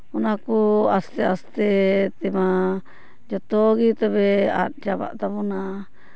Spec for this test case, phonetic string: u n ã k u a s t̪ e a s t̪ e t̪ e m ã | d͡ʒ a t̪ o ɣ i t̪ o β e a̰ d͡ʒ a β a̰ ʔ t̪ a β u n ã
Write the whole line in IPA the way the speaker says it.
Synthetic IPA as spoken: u n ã k u a s t̪ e a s t̪ e t̪ e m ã | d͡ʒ a t̪ o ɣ i t̪ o β e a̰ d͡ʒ a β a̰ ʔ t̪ a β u n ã

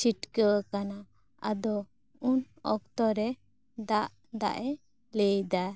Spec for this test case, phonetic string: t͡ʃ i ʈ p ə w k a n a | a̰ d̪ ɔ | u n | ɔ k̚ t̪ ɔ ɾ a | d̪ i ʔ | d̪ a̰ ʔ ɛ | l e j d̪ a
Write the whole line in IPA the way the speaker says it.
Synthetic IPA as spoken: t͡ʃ i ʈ k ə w k a n a | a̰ d̪ ɔ | u n | ɔ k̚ t̪ ɔ ɾ ɛ | d̪ a ʔ | d̪ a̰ ʔ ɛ | l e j d̪ a

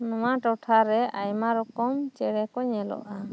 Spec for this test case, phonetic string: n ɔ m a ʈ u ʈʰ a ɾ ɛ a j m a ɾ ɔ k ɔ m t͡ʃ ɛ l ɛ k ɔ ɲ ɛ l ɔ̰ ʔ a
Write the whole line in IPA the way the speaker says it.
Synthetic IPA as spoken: n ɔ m a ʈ ɔ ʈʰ a ɾ ɛ a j m a ɾ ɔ k ɔ m t͡ʃ ɛ ɽ ɛ k ɔ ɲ ɛ l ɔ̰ ʔ a

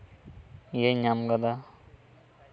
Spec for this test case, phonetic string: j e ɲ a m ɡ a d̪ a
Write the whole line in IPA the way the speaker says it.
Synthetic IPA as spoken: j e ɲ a m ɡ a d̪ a

